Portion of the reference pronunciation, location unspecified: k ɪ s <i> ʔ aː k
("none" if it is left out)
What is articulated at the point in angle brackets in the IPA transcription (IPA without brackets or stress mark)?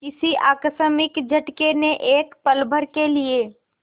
i